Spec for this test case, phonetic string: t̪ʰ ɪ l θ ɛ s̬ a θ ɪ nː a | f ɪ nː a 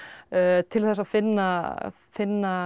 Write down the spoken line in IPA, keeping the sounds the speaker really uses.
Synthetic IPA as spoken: t̪ʰ ɪ l θ ɛ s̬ a f ɪ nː a | f ɪ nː a